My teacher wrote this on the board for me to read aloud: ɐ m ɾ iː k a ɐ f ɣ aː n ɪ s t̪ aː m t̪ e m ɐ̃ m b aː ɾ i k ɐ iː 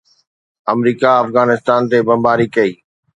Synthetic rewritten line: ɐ m ɾ iː k a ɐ f ɣ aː n ɪ s t̪ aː n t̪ e b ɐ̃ m b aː ɾ i k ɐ iː